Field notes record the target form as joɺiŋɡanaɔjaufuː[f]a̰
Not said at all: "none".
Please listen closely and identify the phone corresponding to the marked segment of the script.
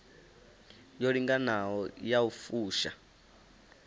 ʃ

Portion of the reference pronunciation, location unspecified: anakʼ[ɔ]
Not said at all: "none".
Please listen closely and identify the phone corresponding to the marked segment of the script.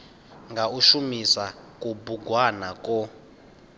ɔ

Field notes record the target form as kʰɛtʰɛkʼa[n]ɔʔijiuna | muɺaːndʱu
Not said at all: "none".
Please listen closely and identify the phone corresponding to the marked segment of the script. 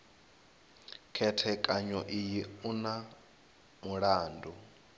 ɲ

